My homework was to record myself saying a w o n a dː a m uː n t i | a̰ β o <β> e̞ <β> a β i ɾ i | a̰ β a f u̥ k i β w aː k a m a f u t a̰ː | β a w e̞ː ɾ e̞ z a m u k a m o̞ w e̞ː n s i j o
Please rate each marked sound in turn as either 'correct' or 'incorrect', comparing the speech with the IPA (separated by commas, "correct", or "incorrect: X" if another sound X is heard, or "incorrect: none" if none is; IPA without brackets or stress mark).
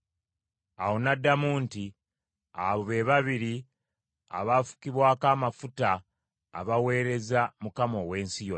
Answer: correct, correct